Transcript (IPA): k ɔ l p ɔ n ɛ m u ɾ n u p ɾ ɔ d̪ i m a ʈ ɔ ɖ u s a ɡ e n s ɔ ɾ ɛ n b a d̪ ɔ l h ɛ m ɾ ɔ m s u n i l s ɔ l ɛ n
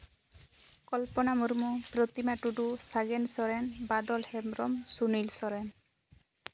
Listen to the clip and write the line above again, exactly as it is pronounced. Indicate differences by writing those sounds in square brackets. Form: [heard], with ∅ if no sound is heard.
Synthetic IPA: k ɔ l p ɔ n [a] m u ɾ [m] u p ɾ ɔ [t̪] i m a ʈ [u] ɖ u s a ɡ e n s ɔ ɾ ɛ n b a d̪ ɔ l h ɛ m ɾ ɔ m s u n i l s ɔ [ɾ] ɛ n